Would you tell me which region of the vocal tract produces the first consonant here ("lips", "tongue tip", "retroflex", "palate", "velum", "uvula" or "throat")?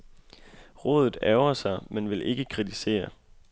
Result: uvula